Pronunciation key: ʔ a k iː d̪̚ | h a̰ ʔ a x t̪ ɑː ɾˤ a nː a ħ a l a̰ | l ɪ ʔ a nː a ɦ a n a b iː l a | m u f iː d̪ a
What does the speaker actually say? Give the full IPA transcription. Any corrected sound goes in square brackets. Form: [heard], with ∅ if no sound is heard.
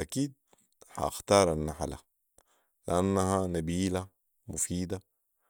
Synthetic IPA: ʔ a k iː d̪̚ | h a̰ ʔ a x t̪ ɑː ɾˤ a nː a ħ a l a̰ | l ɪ ʔ a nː a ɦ a n a b iː l a | m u f iː d̪ a

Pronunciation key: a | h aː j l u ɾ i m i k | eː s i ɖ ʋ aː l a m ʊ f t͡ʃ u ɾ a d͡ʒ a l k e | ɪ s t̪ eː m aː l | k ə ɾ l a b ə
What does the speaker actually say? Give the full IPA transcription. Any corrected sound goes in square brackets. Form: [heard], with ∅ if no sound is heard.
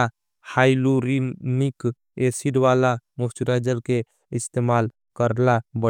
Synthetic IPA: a | h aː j l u ɾ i m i k | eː s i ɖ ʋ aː l a m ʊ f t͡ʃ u ɾ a d͡ʒ [ə] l k e | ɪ s t̪ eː m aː l | k ə ɾ l a b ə

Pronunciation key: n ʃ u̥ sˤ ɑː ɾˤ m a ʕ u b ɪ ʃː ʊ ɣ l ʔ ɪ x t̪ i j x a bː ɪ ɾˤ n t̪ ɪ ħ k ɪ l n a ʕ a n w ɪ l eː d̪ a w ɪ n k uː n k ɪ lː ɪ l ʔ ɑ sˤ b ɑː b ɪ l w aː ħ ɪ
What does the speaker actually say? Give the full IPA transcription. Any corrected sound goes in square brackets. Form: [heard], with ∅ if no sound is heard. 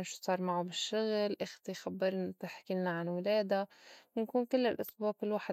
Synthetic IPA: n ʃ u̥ sˤ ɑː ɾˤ m a ʕ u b ɪ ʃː ʊ ɣ l ʔ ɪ x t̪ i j x a bː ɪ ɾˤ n t̪ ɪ ħ k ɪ l n a ʕ a n w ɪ l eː d̪ a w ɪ n k uː n k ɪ lː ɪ l ʔ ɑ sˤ b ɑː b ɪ l w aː ħ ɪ

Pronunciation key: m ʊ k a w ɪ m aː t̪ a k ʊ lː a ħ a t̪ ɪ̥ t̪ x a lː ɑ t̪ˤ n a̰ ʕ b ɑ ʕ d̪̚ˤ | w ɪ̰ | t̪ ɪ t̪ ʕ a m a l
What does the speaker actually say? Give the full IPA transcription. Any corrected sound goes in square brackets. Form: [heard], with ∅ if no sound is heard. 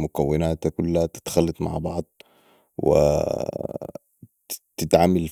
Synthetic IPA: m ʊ k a [wː] ɪ [n] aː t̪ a k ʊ lː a [h] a t̪ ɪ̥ t̪ x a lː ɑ t̪ˤ [m] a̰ ʕ b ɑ ʕ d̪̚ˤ | w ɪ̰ | t̪ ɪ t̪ ʕ a m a l

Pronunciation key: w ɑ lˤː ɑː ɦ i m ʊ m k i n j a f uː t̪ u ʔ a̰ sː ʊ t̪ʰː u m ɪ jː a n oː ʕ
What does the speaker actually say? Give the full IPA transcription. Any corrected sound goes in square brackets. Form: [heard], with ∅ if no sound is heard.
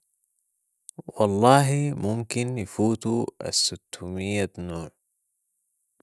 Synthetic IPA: w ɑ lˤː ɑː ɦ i m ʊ m k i n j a f uː t̪ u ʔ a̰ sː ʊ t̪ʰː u m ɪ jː a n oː ʕ

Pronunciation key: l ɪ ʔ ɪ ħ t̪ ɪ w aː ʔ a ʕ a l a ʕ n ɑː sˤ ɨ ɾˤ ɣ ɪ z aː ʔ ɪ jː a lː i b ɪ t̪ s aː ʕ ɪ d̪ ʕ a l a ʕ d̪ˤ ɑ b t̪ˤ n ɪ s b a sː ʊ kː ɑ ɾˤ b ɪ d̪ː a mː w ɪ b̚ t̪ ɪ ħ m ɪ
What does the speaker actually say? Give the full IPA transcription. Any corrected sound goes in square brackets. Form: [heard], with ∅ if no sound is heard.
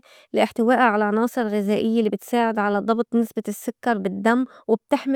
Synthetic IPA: l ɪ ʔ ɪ ħ t̪ ɪ w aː ʔ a ʕ a l a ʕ n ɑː sˤ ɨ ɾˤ ɣ ɪ z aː ʔ ɪ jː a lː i b ɪ t̪ s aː ʕ ɪ d̪ ʕ a l a [∅] d̪ˤ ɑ b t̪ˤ n ɪ s b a sː ʊ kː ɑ ɾˤ b ɪ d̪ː a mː w ɪ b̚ t̪ ɪ ħ m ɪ

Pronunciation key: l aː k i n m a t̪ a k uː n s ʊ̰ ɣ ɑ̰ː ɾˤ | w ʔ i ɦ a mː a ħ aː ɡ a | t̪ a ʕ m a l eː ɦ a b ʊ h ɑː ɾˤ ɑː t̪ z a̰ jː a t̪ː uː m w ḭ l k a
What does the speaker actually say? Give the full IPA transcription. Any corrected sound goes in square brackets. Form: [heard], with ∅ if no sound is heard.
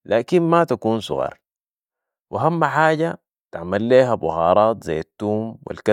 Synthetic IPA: l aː k i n m a t̪ a k uː n s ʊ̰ ɣ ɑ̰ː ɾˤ | w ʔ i ɦ a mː a ħ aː [ɟ] a | t̪ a ʕ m a [lː] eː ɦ a b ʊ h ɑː ɾˤ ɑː t̪ z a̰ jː a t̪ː uː m w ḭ l k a

